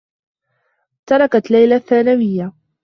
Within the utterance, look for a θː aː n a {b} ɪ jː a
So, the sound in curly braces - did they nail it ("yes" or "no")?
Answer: no